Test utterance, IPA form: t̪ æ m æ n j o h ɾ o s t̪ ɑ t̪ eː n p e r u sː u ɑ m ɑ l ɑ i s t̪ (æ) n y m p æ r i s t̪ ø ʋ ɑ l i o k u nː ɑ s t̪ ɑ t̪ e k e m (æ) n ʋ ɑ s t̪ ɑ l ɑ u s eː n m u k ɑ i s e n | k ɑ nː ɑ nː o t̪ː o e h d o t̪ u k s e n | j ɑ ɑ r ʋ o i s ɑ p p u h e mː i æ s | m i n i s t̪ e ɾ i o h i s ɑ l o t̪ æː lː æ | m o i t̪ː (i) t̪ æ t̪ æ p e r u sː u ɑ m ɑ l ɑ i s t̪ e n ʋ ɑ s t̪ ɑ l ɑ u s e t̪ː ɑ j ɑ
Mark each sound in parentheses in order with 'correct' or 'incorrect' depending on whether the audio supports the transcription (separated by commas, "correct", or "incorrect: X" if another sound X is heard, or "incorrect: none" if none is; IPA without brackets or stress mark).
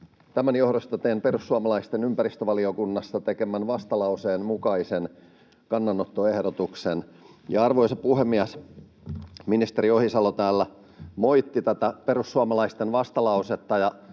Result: incorrect: e, correct, correct